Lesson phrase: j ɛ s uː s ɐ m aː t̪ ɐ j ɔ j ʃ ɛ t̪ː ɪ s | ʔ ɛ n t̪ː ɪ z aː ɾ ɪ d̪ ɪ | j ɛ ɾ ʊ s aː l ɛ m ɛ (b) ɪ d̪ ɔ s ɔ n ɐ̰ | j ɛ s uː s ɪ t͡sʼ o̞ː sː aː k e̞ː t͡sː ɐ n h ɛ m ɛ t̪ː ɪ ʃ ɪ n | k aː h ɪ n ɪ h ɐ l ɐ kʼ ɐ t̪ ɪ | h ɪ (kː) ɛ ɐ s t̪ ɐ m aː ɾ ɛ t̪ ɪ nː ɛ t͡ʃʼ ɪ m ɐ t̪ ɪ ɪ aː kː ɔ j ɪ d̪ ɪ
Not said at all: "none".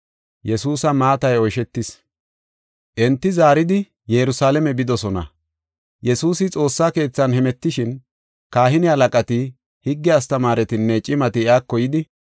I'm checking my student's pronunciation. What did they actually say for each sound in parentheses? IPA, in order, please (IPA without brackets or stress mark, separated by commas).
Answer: b, ɡː